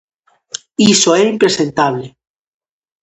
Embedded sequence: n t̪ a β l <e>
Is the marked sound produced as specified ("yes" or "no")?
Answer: yes